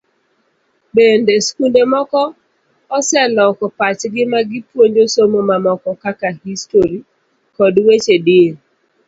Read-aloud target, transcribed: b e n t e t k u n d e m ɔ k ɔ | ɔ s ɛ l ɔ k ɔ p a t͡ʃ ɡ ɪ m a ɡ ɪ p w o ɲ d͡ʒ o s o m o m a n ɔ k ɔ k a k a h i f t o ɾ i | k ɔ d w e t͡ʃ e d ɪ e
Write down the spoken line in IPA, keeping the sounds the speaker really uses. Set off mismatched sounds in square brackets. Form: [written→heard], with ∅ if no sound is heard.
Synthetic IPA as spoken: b e n [t→d] e [t→s] k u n d e m ɔ k ɔ | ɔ s ɛ l ɔ k ɔ p a t͡ʃ ɡ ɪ m a ɡ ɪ p w o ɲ d͡ʒ o s o m o m a [n→m] ɔ k ɔ k a k a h i [f→s] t o ɾ i | k ɔ d w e t͡ʃ e d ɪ e